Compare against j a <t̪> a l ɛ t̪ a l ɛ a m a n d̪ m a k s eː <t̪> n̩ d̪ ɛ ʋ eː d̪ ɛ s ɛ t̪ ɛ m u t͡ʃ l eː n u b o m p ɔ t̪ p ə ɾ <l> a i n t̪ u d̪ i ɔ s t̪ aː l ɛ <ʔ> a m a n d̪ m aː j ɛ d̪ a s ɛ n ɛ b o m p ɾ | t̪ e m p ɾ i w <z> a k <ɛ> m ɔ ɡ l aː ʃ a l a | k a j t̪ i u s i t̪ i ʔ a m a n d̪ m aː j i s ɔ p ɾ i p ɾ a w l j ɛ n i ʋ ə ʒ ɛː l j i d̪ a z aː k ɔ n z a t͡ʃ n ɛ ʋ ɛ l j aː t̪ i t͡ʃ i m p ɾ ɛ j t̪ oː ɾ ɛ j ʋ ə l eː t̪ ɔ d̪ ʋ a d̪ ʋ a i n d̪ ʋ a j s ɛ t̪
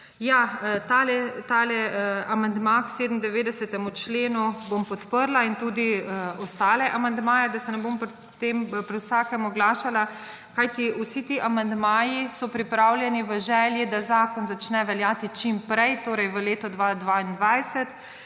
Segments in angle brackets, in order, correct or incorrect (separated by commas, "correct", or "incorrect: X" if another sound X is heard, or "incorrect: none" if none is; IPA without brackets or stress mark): correct, incorrect: d̪, correct, correct, incorrect: s, correct